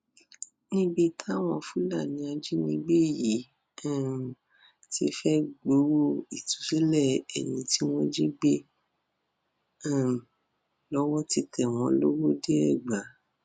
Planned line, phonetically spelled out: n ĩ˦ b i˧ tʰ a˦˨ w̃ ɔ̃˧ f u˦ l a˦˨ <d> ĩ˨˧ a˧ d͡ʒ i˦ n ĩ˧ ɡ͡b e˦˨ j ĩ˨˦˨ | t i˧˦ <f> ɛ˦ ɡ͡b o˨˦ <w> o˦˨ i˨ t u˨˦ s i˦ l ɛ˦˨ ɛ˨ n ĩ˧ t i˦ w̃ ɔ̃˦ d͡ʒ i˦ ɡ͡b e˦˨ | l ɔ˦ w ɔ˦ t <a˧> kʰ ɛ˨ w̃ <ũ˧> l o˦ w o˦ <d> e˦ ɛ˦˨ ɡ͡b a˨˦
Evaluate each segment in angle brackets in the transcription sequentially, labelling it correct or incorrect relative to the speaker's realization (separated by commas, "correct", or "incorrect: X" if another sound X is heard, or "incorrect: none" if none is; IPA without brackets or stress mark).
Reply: incorrect: n, correct, correct, incorrect: i˧, incorrect: ɔ̃˧, correct